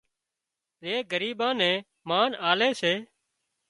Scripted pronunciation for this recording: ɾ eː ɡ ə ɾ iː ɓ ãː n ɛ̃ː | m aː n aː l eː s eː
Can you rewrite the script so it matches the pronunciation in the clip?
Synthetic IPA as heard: ɾ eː ɡ ə ɾ iː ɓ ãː n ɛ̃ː | m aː n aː l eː s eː